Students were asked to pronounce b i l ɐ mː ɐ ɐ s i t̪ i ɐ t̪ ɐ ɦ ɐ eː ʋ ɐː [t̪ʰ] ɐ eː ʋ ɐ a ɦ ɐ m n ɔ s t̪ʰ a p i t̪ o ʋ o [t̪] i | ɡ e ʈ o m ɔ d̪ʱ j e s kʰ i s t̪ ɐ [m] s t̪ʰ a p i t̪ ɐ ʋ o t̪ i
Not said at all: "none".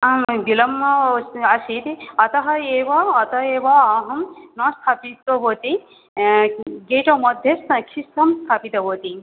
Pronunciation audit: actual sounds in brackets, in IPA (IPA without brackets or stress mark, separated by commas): t̪, t̪, m